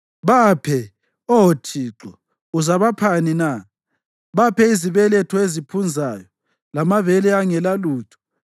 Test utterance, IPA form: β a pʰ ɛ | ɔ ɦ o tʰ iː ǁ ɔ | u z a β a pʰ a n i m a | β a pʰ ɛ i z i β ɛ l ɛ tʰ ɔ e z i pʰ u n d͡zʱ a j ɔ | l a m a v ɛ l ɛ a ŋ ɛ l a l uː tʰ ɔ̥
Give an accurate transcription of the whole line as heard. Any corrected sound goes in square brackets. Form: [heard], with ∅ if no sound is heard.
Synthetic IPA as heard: β a pʰ ɛ | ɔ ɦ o tʰ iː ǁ ɔ | u z a β a pʰ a n i [n] a | β a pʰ ɛ i z i β ɛ l ɛ tʰ ɔ e z i pʰ u n d͡zʱ a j ɔ | l a m a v ɛ l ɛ a ŋ ɛ l a l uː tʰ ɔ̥